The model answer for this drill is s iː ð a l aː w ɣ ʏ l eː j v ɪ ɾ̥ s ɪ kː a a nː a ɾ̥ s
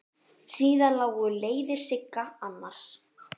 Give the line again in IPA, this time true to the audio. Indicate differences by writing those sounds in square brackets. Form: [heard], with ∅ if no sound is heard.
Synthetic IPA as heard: s iː ð a l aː w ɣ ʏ l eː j [ð] ɪ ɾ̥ s ɪ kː a a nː a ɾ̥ s